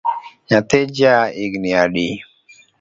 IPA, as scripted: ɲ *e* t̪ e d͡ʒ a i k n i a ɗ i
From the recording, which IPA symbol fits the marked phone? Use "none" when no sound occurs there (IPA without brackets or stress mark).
a